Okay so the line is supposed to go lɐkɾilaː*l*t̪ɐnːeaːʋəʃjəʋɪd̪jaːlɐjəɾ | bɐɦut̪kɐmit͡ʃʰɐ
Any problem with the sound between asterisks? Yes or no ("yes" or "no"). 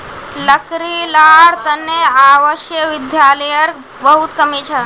yes